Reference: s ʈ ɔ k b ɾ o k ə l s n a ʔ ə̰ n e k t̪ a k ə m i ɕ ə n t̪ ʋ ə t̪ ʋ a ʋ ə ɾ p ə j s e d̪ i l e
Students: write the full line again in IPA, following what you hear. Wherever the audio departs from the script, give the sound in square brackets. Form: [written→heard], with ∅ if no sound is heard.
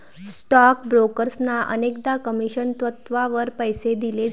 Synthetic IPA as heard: s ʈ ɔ k b ɾ o k ə [l→ɾ] s n a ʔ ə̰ n e k [t̪→d̪] a k ə m i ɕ ə n t̪ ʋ ə t̪ ʋ a ʋ ə ɾ p ə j s e d̪ i l e